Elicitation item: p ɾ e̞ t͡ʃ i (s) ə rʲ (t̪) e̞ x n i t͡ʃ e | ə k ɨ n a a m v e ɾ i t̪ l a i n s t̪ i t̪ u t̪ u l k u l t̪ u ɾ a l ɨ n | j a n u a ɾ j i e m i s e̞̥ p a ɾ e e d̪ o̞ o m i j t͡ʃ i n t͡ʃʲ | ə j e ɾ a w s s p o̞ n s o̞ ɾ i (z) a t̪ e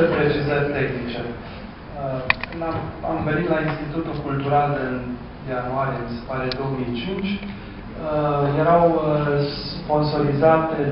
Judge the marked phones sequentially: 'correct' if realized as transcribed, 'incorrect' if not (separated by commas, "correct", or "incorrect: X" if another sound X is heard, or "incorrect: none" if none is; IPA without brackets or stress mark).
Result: incorrect: z, correct, correct